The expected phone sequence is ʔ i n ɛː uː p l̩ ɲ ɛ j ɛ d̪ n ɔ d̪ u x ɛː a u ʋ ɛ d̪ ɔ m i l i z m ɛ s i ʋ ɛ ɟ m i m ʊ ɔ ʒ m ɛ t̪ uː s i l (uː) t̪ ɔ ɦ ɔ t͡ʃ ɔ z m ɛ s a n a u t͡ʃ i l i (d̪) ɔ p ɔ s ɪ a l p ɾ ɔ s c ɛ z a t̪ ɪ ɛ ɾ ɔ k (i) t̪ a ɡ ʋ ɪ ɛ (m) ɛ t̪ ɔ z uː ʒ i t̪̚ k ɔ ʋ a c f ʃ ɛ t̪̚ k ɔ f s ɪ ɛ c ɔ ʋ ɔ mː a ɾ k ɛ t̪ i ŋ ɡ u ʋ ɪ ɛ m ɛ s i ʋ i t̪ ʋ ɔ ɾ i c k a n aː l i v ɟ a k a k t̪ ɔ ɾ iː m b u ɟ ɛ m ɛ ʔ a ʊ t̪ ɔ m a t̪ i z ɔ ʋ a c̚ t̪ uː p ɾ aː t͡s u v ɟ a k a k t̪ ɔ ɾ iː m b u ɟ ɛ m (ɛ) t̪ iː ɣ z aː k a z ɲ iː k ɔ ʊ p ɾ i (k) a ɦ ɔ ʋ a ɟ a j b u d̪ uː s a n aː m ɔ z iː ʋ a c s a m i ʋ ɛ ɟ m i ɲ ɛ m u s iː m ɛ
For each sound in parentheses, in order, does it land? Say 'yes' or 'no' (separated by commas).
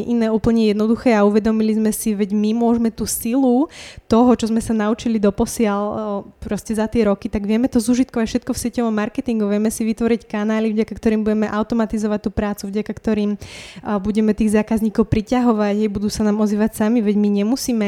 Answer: no, yes, yes, yes, yes, no